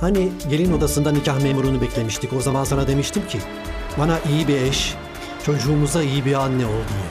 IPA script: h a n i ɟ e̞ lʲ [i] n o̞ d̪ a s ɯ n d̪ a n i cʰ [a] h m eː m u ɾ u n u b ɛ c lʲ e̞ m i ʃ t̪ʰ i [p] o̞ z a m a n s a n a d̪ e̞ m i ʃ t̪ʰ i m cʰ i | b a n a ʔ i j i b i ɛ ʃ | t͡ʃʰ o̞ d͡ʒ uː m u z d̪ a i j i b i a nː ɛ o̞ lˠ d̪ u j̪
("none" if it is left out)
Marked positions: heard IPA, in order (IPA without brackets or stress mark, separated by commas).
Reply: i, a, c